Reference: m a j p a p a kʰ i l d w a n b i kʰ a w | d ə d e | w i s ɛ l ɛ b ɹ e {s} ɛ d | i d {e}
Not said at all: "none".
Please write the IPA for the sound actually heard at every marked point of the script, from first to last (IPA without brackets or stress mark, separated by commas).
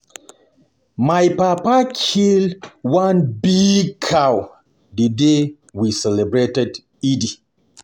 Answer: t, i